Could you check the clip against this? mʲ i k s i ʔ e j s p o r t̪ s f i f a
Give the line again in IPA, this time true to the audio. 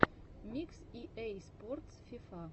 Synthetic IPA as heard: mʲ i k s i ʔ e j s p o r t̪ s f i f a